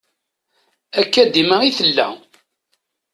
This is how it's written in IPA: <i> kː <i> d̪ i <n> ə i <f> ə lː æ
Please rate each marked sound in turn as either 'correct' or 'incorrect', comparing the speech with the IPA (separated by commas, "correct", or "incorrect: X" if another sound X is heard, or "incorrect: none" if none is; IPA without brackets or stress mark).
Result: incorrect: æ, incorrect: æ, incorrect: m, incorrect: θ